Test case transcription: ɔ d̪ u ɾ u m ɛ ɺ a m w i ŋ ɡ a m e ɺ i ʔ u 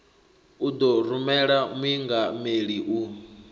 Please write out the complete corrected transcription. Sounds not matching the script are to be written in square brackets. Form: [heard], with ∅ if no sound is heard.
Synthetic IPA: [u] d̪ [ɔ] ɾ u m ɛ ɺ a m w i ŋ ɡ a m e ɺ i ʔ u